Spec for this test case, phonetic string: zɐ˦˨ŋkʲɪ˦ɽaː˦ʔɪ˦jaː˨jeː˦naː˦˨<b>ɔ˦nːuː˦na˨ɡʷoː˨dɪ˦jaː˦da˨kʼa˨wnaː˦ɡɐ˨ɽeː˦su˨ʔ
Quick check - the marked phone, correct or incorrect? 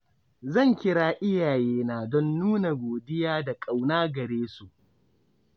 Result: incorrect